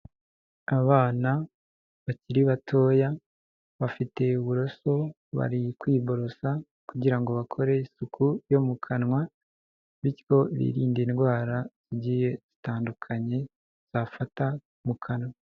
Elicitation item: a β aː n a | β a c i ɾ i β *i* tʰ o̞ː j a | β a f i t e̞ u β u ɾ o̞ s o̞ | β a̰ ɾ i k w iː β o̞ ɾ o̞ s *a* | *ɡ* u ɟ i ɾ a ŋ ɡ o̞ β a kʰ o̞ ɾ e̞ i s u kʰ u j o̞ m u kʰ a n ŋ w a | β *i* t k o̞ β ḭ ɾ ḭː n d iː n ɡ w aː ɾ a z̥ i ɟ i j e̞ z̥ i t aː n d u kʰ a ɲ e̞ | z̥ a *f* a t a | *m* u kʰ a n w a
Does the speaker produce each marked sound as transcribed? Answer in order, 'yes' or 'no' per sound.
no, yes, no, yes, yes, yes

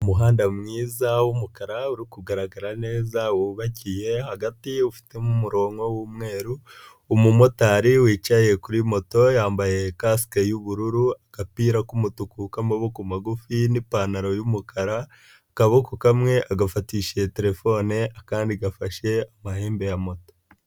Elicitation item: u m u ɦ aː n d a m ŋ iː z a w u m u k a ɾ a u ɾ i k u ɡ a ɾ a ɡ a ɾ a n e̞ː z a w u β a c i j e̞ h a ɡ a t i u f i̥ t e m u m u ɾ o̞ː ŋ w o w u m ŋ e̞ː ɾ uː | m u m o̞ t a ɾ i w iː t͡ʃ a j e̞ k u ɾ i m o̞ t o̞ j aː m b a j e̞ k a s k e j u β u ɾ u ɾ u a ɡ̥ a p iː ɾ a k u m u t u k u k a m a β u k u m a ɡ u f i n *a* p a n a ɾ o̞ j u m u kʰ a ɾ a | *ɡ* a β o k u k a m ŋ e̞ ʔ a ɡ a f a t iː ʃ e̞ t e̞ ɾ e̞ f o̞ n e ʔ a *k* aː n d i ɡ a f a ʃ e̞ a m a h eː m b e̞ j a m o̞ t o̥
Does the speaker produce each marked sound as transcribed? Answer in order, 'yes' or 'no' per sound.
no, no, yes

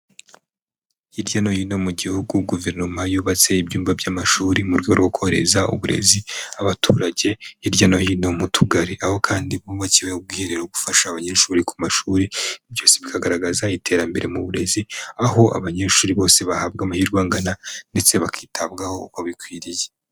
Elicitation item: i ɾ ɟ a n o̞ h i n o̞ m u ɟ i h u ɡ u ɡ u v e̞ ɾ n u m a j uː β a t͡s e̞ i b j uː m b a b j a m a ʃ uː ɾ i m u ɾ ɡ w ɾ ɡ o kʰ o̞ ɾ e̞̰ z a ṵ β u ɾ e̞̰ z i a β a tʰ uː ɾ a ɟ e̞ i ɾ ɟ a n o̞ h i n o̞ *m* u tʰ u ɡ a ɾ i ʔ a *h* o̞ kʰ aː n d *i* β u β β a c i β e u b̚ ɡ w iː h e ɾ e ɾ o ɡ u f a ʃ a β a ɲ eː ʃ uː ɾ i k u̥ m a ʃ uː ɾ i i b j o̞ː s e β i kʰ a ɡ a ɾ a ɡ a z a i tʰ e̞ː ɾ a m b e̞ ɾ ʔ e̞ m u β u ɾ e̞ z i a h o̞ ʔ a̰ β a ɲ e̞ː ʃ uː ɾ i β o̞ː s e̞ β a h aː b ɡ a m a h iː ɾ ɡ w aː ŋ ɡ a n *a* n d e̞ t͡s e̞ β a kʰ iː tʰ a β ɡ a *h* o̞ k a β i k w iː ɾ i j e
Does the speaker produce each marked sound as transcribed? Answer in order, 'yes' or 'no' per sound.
yes, yes, yes, yes, yes

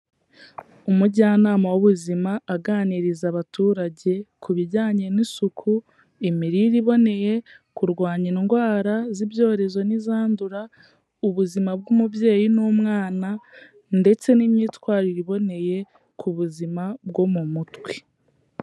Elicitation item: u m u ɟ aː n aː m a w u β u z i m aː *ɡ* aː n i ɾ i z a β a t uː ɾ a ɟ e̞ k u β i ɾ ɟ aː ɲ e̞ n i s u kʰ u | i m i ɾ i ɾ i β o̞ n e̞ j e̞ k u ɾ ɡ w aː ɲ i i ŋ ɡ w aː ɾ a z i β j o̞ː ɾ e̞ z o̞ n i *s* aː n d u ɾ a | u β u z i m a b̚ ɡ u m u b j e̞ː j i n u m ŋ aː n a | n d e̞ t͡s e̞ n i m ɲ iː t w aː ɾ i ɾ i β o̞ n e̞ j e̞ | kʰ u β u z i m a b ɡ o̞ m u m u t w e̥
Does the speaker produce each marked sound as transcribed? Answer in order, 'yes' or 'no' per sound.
yes, no

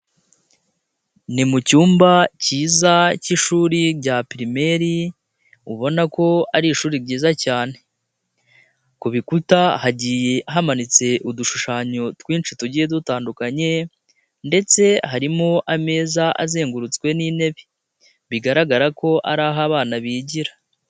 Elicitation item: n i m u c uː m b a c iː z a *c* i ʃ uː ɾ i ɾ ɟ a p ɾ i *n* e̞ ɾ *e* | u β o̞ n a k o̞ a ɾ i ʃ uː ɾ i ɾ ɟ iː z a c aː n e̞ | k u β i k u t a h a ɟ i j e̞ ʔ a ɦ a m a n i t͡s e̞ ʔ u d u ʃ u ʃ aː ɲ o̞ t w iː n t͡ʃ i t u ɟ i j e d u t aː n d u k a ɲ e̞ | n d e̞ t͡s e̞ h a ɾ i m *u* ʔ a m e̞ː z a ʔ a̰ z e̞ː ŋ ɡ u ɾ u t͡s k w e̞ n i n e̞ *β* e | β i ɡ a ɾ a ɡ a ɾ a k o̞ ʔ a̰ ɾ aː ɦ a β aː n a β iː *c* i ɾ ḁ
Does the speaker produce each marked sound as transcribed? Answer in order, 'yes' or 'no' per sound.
yes, no, no, no, yes, no

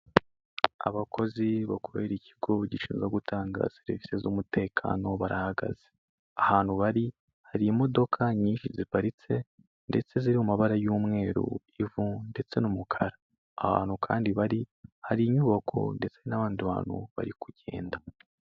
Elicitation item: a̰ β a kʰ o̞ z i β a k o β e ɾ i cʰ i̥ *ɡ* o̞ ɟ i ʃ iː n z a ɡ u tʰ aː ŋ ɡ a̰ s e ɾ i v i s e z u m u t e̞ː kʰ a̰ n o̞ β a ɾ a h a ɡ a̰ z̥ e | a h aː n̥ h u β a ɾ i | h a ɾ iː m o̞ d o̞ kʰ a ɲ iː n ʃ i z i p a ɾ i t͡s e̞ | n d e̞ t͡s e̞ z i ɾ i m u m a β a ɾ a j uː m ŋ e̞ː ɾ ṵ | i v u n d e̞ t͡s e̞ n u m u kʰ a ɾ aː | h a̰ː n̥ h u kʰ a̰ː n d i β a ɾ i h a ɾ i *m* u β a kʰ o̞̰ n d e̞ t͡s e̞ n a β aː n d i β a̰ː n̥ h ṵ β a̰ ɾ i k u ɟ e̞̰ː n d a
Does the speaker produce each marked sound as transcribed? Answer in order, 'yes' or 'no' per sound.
yes, no

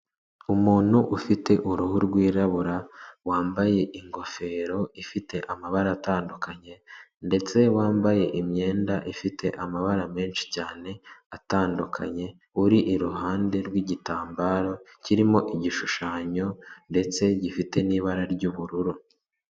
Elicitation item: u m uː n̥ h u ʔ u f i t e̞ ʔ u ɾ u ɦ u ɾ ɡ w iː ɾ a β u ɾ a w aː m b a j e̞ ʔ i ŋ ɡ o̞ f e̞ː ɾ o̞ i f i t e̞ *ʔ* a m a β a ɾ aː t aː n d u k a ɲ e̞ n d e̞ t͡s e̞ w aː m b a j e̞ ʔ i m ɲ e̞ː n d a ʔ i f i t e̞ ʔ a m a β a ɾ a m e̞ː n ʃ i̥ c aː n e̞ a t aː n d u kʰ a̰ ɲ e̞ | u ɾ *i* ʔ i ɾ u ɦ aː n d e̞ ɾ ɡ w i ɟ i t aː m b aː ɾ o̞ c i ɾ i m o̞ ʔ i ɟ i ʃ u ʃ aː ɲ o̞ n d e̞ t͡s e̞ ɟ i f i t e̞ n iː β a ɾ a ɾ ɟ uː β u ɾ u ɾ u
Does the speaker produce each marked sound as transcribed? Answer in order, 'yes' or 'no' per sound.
yes, yes

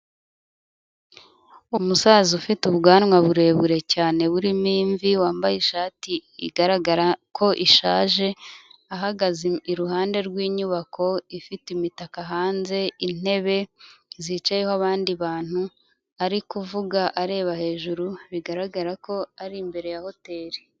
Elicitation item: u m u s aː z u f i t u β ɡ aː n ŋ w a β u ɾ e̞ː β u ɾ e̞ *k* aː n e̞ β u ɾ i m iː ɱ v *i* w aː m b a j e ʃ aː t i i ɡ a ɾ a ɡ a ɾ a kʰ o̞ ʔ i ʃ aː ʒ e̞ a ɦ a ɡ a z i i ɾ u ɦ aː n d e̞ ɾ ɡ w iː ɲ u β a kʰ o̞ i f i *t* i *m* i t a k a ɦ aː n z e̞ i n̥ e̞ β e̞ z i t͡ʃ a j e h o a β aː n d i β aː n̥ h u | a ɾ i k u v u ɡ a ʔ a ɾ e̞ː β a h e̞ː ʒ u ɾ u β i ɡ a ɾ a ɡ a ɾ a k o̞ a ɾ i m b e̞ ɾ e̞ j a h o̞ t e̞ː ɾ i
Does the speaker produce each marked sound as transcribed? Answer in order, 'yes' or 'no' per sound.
no, yes, yes, yes

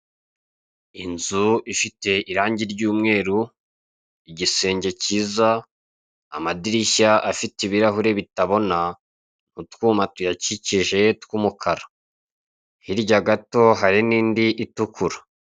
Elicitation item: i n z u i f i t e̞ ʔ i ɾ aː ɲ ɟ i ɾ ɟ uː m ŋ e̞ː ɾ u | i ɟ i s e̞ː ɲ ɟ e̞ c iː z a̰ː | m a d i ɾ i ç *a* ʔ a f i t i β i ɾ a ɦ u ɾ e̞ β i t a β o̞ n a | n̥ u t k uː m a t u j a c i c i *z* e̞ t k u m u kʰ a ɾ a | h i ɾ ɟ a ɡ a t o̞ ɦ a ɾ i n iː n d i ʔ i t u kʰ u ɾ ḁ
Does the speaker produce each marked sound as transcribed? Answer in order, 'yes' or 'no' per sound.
yes, no

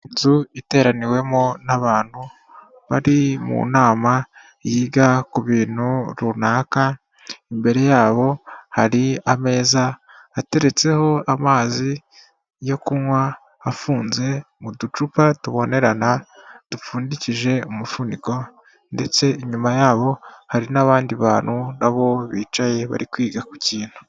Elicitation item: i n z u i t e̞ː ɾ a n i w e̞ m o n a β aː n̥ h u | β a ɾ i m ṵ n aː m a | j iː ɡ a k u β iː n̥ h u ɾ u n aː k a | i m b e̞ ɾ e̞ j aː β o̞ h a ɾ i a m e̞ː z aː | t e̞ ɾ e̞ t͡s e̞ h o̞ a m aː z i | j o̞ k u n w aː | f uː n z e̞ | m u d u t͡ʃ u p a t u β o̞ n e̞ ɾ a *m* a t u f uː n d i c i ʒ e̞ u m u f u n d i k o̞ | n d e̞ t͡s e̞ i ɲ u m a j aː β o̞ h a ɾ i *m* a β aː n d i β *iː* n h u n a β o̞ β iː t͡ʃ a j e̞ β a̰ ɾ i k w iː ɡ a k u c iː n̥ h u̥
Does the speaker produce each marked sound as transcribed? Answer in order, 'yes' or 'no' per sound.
no, no, no

